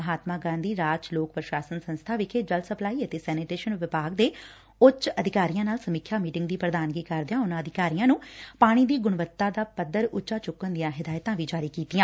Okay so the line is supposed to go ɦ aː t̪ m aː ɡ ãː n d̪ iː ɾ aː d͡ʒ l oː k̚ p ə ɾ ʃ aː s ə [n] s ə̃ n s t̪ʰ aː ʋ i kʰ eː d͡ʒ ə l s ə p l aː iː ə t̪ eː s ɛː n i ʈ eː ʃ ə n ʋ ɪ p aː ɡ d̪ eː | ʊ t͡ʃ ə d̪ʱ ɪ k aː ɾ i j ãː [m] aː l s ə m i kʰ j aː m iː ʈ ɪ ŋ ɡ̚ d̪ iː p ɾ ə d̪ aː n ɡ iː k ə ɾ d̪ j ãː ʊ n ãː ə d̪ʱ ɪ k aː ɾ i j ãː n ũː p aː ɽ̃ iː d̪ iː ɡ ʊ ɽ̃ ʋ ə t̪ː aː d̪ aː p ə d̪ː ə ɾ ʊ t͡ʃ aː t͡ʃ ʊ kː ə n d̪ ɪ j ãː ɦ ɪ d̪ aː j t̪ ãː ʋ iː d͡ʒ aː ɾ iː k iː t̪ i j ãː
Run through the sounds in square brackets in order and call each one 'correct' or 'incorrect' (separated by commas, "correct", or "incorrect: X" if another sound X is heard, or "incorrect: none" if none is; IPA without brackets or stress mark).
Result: correct, incorrect: n